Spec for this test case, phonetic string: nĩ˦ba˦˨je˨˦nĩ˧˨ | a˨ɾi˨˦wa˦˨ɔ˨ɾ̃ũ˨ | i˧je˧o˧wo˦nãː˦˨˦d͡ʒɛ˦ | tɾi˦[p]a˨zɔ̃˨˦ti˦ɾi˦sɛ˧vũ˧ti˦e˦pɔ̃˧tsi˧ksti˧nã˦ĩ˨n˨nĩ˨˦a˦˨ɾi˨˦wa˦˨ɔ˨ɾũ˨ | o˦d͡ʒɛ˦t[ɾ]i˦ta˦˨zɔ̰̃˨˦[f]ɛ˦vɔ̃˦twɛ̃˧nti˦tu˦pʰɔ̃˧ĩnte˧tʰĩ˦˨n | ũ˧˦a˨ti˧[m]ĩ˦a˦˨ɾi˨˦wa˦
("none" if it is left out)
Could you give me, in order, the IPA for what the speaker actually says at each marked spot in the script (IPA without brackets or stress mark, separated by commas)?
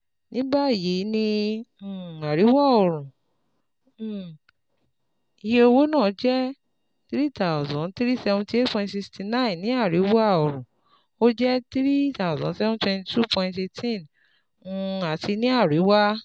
t, ɾ, s, n